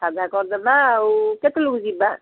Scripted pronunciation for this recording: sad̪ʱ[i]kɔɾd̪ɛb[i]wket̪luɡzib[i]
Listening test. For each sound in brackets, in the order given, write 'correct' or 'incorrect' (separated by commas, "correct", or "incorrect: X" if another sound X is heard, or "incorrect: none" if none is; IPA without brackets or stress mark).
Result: incorrect: a, incorrect: a, incorrect: a